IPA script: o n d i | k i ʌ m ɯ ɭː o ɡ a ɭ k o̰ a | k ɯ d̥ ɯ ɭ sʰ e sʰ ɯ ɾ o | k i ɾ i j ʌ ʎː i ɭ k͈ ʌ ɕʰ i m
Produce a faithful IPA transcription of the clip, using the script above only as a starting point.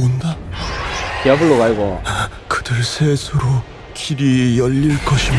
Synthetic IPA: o n d a | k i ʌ b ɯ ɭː o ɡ a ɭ ɡ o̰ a | k ɯ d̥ ɯ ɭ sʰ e sʰ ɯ ɾ o | k i ɾ i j ʌ ʎː i ɭ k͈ ʌ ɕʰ i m